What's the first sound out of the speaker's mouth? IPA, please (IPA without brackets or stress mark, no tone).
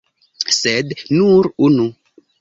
s